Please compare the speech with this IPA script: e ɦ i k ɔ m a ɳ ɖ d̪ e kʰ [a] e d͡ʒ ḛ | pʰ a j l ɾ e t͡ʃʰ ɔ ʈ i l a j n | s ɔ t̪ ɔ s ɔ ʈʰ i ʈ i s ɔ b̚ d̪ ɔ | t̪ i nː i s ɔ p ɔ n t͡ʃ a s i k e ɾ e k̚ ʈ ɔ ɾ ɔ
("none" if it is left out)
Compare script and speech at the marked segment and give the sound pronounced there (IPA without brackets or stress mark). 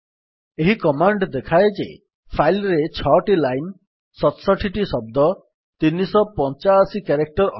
a